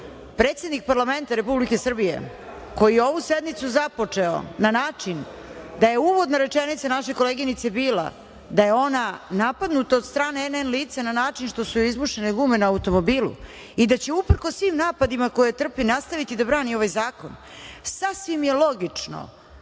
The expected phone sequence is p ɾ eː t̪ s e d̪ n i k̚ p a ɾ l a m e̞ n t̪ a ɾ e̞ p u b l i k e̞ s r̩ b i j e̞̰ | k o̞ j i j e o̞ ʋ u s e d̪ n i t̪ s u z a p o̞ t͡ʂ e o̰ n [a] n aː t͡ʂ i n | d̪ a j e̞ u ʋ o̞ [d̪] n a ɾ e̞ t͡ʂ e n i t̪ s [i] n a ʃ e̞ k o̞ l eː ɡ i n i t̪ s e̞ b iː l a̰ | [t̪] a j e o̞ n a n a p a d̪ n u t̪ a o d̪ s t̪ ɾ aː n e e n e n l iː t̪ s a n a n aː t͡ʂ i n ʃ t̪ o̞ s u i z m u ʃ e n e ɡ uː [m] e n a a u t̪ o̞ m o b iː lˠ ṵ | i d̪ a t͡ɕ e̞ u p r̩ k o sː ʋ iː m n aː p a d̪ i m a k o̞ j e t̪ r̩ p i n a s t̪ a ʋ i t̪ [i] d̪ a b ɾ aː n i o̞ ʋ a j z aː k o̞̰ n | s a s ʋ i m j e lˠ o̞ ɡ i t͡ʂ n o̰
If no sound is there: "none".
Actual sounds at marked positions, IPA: a, d̪, a, d̪, m, i

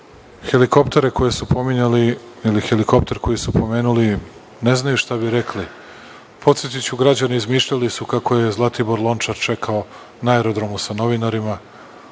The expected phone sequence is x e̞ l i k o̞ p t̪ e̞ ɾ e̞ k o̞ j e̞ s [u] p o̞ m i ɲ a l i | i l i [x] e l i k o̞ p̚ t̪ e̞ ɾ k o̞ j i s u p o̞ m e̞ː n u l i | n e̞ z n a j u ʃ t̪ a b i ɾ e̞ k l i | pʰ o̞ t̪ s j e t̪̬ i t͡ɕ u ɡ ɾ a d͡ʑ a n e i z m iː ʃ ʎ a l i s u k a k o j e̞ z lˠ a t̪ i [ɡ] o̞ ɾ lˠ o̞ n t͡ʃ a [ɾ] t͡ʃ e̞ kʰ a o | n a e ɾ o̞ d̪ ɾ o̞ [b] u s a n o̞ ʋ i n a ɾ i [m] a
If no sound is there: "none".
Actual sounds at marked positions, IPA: u, x, b, ɾ, m, m

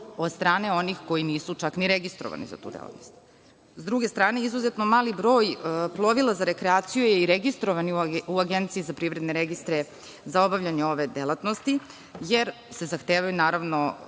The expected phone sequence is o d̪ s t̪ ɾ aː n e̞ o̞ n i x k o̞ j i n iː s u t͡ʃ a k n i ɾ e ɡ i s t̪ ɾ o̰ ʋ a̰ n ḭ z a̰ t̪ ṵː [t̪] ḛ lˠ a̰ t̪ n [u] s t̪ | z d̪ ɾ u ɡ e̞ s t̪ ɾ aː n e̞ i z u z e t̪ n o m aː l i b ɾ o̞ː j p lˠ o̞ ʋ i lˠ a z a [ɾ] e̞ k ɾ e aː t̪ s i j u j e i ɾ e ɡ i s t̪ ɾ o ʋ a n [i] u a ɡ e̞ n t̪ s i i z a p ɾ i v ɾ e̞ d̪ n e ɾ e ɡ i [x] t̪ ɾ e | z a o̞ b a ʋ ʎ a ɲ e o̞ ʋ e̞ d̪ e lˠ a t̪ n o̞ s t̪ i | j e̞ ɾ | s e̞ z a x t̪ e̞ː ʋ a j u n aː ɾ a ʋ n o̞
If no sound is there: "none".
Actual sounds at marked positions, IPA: d̪, o, ɾ, i, s

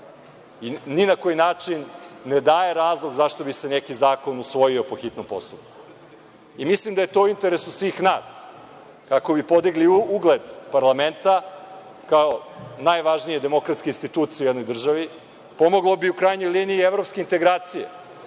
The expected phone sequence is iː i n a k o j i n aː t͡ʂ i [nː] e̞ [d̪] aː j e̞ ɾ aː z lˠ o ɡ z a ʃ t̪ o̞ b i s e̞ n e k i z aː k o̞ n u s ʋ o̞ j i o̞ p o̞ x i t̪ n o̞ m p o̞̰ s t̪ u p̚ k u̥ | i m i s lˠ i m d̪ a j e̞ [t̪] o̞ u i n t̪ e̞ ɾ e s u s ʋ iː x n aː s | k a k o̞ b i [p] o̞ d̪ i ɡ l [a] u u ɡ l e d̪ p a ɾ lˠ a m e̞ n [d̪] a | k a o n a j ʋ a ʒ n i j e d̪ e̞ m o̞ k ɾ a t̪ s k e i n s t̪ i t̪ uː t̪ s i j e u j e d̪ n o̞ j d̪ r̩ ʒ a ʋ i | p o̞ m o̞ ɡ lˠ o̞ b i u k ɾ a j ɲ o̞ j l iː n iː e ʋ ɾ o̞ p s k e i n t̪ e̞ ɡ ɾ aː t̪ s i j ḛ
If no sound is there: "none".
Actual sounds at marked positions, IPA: nː, d̪, t̪, p, i, t̪

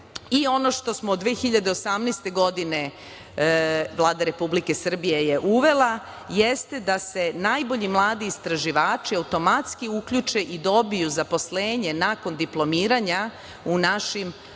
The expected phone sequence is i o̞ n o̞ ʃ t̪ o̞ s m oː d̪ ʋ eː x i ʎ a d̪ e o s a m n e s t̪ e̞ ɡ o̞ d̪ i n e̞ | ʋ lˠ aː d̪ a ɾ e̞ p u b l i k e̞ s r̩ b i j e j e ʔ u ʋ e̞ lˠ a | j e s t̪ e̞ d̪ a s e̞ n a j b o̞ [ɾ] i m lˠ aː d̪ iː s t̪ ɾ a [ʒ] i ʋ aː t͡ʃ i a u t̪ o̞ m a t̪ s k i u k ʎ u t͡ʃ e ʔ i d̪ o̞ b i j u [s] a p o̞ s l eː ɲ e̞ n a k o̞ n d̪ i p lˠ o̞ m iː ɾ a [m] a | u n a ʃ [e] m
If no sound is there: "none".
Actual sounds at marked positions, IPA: ʎ, ʒ, z, ɲ, i

